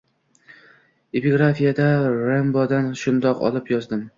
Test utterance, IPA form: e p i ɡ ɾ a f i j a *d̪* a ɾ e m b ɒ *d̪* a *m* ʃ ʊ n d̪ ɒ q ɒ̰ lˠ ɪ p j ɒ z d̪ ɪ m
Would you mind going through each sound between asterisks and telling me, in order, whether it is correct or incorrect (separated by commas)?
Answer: correct, correct, incorrect